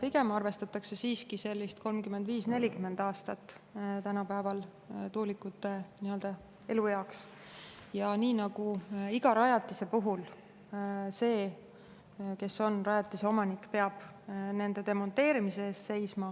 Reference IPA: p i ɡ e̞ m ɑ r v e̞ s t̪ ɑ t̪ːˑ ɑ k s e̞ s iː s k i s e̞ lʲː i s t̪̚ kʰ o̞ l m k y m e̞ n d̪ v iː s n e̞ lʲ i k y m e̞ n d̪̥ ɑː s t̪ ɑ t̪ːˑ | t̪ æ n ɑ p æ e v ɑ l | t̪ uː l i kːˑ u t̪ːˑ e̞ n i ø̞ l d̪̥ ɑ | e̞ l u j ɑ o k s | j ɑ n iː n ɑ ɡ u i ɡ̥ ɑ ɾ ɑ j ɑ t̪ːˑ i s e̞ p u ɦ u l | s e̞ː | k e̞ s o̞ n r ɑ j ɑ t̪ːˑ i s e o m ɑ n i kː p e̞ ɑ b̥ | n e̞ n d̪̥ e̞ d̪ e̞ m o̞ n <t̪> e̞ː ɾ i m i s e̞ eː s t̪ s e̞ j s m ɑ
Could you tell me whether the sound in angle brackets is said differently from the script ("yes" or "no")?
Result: no